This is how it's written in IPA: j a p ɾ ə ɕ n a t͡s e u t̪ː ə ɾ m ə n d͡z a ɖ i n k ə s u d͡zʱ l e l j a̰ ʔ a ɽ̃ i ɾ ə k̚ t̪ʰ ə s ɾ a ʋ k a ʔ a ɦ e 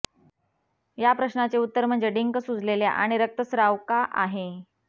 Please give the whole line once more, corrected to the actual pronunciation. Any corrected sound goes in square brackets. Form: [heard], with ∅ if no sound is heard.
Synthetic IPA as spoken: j a p ɾ ə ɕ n a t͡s e u t̪ː ə ɾ m ə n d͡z [e] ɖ i [ŋ] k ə s u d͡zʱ l e l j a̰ ʔ a ɽ̃ i ɾ ə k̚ [t̪] ə s ɾ a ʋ k a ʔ a ɦ e